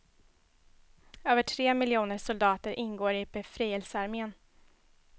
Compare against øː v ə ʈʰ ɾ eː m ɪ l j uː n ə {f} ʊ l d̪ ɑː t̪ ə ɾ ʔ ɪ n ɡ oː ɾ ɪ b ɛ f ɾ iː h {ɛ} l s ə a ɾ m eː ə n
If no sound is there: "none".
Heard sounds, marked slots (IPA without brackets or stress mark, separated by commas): ʂ, ɛ